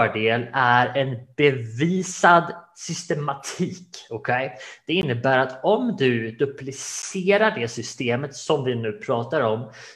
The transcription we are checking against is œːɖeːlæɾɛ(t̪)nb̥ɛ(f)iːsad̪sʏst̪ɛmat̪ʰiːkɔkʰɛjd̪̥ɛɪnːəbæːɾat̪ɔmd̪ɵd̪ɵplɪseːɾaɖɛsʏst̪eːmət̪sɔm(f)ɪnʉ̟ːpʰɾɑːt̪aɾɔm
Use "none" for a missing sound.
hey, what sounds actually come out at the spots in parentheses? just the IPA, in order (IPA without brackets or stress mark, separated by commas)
none, v, v